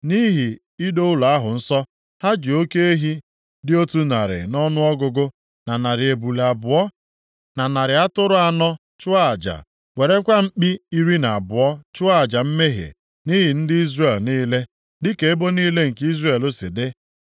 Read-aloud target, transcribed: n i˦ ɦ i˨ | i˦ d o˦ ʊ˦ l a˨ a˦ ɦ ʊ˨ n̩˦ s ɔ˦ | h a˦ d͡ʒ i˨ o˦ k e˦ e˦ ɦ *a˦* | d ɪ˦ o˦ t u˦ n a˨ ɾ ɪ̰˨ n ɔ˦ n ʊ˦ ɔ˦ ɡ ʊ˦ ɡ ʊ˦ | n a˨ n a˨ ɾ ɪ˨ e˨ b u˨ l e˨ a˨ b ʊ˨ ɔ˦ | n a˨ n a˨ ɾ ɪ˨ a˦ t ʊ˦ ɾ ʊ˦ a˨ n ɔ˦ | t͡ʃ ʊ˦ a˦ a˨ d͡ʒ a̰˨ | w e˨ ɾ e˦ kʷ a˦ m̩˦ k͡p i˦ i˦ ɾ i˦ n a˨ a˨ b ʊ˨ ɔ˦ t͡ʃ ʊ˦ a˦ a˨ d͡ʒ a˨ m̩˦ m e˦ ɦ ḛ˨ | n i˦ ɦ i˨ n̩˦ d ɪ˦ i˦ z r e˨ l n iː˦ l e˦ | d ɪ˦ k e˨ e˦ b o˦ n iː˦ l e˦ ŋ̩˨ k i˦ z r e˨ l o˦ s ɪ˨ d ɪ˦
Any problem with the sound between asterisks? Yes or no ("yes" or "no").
yes